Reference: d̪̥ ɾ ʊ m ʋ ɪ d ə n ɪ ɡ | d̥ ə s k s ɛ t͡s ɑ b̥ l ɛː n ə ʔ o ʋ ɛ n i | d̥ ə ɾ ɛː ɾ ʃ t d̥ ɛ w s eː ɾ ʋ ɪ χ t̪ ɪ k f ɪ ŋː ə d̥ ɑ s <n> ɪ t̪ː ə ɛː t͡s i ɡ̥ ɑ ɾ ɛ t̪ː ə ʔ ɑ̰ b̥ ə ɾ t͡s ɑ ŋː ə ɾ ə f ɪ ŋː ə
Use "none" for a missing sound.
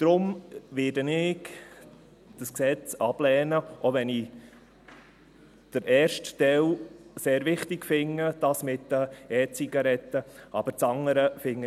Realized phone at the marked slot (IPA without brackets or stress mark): m